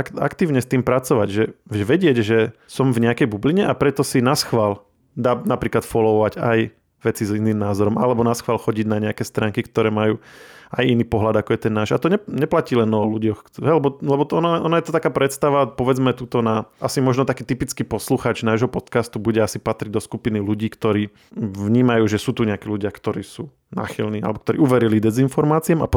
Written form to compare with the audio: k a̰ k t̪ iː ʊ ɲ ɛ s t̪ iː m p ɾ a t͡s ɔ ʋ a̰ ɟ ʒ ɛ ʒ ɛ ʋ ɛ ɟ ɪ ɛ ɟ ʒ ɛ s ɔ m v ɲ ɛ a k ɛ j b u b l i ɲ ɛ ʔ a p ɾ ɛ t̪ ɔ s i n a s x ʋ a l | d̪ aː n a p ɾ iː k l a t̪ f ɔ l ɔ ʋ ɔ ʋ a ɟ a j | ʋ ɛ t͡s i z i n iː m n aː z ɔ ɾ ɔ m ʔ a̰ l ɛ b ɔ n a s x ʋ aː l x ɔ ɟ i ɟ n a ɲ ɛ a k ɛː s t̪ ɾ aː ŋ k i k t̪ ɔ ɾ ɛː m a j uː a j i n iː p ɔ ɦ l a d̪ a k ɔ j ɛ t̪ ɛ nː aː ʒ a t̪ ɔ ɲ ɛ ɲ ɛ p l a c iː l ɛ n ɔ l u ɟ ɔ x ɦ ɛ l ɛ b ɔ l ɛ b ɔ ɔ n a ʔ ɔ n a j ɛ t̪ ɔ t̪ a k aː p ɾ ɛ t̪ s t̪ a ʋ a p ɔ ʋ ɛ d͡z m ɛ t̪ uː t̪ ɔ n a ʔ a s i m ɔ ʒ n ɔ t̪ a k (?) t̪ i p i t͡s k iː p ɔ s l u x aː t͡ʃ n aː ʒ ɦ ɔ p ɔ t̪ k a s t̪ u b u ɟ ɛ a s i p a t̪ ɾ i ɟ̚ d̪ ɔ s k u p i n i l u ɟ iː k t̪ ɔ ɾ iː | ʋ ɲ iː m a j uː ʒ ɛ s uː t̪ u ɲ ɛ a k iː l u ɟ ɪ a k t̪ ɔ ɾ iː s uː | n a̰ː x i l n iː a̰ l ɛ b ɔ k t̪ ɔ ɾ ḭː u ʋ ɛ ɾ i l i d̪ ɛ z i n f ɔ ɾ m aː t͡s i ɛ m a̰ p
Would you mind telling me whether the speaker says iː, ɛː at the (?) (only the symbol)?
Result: iː